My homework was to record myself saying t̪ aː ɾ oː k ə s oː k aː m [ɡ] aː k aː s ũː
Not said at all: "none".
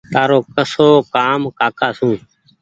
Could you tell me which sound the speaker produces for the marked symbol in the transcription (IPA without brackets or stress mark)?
k